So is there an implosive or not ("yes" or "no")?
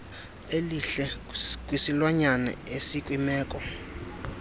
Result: no